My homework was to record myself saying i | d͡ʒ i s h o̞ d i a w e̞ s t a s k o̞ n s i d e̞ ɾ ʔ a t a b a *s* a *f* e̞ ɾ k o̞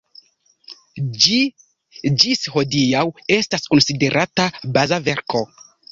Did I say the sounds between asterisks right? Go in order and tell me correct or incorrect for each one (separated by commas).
incorrect, incorrect